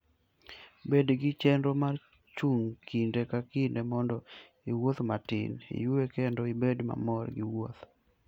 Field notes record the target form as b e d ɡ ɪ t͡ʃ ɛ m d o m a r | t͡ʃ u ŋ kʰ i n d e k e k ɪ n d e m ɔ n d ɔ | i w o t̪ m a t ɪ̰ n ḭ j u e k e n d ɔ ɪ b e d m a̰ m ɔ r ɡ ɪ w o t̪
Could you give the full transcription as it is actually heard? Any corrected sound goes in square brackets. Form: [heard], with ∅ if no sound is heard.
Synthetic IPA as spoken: b e d ɡ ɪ t͡ʃ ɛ [n] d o m a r | t͡ʃ u ŋ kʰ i n d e k [a] k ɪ n d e m ɔ n d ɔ | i w o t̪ m a t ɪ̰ n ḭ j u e k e n d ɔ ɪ b e d m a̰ m ɔ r ɡ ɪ w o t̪